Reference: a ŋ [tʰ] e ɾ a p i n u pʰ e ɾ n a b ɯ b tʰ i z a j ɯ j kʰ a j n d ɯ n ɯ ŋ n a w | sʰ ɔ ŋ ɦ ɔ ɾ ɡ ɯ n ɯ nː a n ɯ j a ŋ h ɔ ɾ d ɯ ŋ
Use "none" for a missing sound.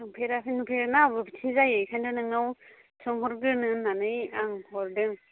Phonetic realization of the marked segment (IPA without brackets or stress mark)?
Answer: pʰ